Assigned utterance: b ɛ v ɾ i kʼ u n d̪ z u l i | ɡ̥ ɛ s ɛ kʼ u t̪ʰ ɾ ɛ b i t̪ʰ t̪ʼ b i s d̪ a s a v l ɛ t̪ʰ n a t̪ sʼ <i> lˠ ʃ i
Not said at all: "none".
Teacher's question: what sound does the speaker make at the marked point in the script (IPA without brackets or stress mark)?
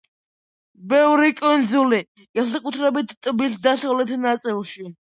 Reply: i